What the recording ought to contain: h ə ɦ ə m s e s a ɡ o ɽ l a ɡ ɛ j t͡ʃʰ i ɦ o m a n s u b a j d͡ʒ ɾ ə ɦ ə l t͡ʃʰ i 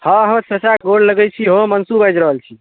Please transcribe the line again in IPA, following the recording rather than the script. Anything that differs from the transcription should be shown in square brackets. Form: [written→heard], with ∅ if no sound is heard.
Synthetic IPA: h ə ɦ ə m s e s a ɡ o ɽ l [a→ə] ɡ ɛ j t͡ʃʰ i ɦ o m [a→ə] n s u b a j d͡ʒ ɾ ə ɦ ə l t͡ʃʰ i